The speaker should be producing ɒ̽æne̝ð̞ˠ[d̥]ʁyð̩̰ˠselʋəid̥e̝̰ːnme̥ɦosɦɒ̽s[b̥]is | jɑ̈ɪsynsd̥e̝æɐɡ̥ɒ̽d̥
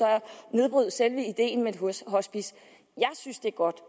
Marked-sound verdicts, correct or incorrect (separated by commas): incorrect, correct